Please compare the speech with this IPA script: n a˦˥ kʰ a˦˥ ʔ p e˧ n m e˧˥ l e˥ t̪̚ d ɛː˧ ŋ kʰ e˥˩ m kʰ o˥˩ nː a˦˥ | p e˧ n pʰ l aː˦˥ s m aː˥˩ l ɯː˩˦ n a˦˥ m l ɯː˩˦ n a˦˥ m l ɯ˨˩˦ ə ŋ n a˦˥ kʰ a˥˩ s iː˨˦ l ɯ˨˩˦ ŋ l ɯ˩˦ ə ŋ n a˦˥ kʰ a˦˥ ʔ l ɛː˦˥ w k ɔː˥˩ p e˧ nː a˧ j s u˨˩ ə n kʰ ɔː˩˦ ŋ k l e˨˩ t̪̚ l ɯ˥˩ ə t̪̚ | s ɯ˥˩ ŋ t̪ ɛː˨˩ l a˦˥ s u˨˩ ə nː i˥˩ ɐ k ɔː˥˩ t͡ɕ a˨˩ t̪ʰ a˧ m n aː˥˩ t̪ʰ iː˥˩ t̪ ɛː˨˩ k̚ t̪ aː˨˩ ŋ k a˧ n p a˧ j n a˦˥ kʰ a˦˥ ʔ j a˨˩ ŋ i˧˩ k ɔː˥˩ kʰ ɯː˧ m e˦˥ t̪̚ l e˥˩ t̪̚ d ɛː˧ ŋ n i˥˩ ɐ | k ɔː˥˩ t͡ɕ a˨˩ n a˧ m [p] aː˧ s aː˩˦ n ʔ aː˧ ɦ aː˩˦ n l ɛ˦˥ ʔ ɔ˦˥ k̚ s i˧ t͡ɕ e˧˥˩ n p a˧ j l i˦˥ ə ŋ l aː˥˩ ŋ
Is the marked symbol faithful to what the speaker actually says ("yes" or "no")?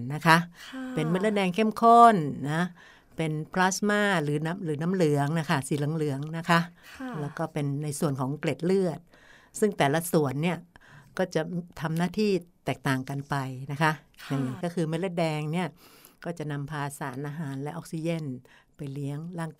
no